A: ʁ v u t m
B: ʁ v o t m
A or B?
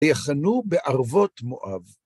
B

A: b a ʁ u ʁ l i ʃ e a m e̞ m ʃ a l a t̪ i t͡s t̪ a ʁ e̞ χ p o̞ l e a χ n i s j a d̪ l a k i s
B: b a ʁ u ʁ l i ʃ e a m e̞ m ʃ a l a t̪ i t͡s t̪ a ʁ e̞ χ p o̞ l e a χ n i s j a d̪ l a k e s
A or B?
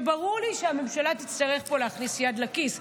A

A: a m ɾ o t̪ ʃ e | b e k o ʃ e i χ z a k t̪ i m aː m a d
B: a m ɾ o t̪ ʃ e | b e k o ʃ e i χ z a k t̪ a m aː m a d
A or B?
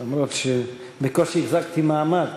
A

